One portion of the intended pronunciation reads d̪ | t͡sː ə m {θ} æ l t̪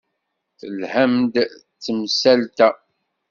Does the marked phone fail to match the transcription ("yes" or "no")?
yes